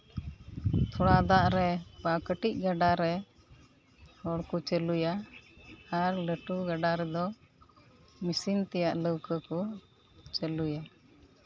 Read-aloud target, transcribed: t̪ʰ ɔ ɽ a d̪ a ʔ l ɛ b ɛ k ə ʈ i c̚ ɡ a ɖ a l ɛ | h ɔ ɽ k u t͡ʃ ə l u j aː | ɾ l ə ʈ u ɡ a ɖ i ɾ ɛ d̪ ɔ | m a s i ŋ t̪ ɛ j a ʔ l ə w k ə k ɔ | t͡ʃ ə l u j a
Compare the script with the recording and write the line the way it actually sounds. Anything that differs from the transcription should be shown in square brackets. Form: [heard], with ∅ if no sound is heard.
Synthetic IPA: t̪ʰ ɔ ɽ a d̪ a ʔ [ɾ] ɛ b [a] k ə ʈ i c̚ ɡ a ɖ a [ɾ] ɛ | h ɔ ɽ k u t͡ʃ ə l u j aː | ɾ l ə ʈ u ɡ a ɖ [a] ɾ ɛ d̪ ɔ | m [i] s i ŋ t̪ ɛ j a ʔ l ə w k ə k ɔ | t͡ʃ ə l u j a